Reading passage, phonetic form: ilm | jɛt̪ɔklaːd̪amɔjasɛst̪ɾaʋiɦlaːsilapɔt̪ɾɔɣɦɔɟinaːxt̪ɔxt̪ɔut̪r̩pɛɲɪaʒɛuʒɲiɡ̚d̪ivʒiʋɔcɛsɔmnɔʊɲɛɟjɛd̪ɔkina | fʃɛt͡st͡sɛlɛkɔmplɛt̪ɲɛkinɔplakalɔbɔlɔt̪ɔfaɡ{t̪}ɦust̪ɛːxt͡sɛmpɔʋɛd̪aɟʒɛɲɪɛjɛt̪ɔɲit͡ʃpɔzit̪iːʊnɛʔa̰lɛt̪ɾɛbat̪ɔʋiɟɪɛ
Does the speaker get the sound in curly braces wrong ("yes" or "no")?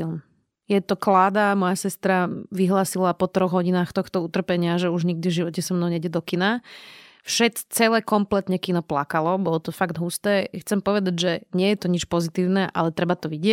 yes